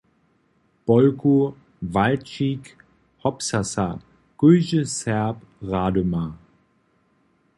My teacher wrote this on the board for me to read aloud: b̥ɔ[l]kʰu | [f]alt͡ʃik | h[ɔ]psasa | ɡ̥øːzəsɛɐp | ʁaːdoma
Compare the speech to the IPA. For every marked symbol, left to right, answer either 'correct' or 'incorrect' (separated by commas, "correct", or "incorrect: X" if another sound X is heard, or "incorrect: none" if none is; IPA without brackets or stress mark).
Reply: correct, incorrect: v, correct